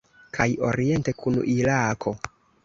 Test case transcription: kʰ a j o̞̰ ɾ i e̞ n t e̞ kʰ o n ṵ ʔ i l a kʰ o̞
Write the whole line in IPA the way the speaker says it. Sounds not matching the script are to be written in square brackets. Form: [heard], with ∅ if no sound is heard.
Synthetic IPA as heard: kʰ a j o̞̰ ɾ i e̞ n t e̞ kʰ [u] n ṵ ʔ i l a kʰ o̞